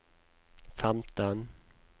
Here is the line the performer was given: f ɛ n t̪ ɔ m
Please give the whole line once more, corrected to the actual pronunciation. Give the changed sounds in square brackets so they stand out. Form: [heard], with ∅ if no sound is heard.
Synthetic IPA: f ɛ [m] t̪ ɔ [n]